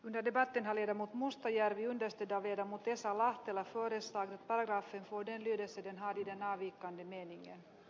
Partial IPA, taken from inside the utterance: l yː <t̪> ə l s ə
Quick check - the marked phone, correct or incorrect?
incorrect